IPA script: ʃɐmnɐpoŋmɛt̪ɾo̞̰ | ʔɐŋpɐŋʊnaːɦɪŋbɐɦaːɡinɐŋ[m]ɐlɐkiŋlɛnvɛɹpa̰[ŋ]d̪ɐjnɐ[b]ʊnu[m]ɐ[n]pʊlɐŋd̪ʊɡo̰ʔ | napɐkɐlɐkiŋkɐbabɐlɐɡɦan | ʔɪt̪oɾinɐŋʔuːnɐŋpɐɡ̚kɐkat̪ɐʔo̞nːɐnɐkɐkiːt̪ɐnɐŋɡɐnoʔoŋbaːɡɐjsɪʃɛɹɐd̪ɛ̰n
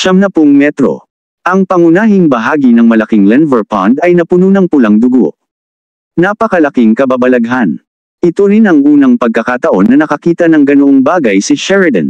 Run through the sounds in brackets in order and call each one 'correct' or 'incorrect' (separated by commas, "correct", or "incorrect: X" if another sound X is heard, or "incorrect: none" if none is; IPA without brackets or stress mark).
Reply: correct, incorrect: n, incorrect: p, incorrect: n, incorrect: ŋ